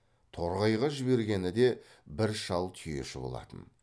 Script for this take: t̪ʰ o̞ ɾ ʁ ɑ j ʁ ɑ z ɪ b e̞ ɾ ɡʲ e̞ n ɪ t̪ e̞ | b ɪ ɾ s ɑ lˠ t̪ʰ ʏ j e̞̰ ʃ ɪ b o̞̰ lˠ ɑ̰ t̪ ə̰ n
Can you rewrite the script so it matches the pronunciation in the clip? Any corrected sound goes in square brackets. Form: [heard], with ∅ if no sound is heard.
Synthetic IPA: t̪ʰ o̞ ɾ ʁ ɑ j ʁ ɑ [ʒ] ɪ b e̞ ɾ ɡʲ e̞ n ɪ [d̪] e̞ | b ɪ ɾ [ʃ] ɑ lˠ t̪ʰ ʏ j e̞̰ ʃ ɪ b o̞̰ lˠ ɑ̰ t̪ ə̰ n